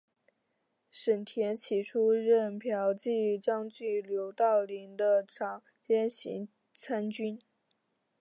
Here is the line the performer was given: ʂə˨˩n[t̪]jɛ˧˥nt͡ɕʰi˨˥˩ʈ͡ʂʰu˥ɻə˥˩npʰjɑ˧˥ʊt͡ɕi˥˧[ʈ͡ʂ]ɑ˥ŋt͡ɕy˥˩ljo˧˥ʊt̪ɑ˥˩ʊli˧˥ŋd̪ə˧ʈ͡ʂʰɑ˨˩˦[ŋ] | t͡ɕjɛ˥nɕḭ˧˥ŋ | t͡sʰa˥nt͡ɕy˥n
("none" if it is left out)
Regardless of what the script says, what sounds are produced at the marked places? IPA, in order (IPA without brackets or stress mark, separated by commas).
t̪ʰ, ʈ͡ʂ, ŋ